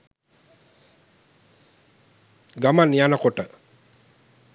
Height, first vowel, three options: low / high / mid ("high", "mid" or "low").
low